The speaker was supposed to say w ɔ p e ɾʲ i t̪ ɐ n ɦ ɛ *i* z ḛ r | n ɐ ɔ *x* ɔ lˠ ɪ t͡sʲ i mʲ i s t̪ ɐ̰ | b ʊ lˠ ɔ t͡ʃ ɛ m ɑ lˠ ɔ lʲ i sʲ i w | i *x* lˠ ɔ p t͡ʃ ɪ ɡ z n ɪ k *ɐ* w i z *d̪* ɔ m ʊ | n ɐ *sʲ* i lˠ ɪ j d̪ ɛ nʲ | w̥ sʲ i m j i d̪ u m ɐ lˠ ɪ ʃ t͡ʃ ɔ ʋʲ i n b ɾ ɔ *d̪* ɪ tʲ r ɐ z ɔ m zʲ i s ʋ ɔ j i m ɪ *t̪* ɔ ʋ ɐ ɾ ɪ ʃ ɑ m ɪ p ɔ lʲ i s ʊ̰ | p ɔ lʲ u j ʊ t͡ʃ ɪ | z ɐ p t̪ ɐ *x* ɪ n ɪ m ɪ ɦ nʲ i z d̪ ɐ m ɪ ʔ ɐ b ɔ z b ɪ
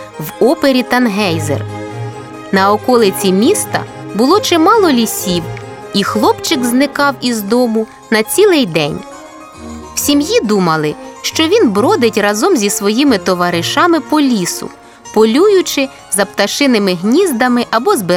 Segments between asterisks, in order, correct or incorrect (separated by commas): incorrect, incorrect, correct, incorrect, correct, incorrect, correct, correct, incorrect